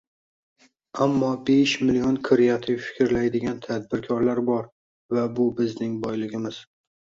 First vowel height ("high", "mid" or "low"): low